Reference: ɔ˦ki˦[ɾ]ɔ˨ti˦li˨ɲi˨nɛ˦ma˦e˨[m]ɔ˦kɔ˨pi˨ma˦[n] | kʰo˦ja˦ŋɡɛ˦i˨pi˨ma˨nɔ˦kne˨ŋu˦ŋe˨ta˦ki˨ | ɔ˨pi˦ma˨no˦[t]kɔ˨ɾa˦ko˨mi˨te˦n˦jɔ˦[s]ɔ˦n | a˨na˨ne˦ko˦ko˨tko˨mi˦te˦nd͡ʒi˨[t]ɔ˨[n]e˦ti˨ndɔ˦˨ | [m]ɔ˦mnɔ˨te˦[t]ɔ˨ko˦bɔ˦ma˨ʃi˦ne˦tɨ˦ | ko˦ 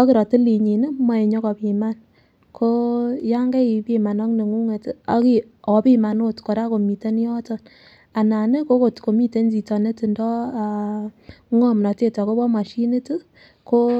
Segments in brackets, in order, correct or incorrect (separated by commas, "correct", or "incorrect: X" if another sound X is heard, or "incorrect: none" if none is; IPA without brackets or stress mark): correct, incorrect: ɲ, correct, correct, incorrect: t, correct, correct, incorrect: ŋ, correct